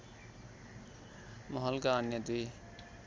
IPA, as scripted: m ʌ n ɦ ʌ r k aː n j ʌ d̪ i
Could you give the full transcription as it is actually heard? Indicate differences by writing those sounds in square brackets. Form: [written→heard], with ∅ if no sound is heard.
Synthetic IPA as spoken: m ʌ [n→∅] ɦ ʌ [r→l] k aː n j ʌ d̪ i